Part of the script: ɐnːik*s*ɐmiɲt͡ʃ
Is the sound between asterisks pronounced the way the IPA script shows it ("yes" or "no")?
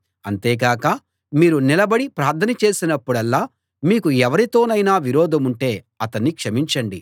no